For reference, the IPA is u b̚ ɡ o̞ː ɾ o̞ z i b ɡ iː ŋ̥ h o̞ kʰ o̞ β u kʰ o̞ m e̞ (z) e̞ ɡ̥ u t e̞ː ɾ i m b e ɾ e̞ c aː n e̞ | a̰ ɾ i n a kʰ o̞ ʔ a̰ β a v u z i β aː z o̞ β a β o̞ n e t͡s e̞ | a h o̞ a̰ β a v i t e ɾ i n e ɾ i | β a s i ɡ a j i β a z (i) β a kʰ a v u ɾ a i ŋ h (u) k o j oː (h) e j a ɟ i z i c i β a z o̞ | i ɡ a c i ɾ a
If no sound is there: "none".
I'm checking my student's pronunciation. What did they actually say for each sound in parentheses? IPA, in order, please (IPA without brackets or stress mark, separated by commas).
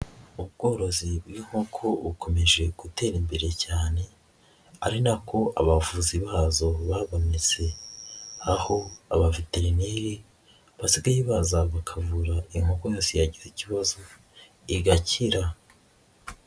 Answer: ʒ, a, o, s